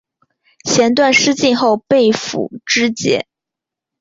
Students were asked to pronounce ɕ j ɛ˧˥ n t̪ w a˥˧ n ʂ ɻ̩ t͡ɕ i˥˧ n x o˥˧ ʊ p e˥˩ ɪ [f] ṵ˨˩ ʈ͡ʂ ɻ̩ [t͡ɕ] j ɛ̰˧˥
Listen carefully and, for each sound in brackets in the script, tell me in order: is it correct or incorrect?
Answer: correct, correct

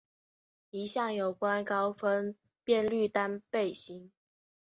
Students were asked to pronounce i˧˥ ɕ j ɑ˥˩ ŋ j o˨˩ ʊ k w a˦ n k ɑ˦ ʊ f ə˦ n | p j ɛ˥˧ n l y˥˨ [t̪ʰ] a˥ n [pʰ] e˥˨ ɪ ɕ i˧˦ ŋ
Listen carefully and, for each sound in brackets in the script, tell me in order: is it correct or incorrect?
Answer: incorrect, incorrect

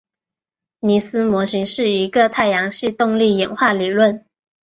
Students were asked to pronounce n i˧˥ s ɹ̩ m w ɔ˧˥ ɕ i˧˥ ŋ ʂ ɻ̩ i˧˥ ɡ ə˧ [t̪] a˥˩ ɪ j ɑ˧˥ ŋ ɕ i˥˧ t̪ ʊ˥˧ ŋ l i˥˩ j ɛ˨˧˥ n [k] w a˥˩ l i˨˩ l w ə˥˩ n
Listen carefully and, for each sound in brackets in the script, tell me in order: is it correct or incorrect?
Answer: incorrect, incorrect

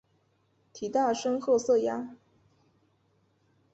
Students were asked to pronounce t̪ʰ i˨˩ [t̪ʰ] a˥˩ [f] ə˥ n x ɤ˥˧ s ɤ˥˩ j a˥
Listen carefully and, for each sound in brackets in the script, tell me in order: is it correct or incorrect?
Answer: incorrect, incorrect

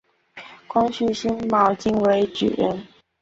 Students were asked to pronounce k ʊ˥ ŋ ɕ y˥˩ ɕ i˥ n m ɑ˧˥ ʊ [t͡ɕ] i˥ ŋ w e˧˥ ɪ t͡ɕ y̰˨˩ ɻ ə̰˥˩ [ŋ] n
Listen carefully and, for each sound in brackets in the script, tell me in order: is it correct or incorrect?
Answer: correct, incorrect

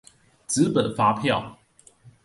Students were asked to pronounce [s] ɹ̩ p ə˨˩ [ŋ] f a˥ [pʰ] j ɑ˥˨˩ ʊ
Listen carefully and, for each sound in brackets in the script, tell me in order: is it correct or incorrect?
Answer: incorrect, incorrect, correct

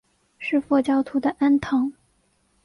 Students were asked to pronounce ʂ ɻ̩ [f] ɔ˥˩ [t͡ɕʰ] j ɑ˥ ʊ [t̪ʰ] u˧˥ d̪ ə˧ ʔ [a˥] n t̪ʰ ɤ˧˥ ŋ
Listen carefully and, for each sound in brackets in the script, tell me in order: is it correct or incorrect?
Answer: correct, incorrect, correct, correct

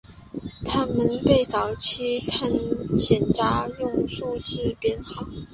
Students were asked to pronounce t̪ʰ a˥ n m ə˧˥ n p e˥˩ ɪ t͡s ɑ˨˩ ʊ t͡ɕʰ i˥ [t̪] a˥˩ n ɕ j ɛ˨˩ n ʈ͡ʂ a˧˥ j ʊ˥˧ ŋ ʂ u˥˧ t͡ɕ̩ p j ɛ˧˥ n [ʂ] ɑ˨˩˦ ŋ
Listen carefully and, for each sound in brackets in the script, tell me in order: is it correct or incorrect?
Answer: incorrect, incorrect

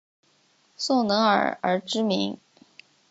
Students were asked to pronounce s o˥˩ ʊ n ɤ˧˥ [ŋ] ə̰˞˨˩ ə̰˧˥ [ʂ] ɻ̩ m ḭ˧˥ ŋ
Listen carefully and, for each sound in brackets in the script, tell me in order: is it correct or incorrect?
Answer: correct, incorrect

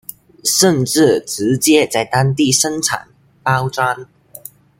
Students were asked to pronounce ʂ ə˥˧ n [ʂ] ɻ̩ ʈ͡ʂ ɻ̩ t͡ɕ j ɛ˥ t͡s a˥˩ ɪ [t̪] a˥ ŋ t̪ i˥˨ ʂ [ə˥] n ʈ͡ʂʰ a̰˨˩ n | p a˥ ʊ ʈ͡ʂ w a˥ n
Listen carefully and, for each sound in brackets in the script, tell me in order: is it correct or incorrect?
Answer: incorrect, correct, correct

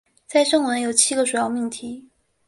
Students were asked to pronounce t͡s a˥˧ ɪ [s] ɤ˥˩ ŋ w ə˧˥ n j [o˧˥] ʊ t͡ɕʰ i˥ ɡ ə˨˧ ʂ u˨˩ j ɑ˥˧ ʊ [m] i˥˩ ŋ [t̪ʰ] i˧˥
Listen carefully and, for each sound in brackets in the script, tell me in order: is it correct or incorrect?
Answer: incorrect, incorrect, correct, correct

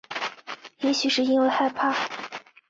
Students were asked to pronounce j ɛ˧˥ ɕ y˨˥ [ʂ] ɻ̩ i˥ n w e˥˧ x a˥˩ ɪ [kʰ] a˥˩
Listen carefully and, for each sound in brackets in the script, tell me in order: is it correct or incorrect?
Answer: correct, incorrect

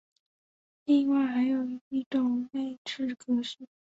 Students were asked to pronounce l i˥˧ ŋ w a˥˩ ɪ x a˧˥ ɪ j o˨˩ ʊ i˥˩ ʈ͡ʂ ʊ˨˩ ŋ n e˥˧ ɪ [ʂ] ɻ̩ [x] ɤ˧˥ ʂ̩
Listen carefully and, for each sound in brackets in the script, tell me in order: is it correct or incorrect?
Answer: incorrect, incorrect

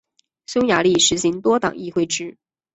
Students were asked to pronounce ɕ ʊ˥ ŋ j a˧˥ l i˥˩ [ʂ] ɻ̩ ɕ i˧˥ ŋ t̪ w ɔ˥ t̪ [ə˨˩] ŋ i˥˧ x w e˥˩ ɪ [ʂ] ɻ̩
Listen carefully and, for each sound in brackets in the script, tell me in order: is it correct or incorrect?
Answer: correct, incorrect, incorrect

